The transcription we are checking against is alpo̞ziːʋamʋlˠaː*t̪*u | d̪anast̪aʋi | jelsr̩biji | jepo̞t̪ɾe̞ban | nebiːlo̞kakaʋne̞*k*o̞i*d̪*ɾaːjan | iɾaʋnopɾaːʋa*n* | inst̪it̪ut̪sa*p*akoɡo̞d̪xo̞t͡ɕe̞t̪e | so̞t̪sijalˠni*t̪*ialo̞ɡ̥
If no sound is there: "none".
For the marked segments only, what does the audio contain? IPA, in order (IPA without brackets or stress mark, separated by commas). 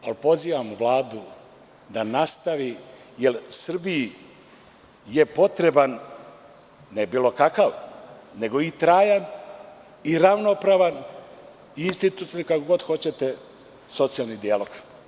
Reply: d̪, ɡ, t̪, n, k, d̪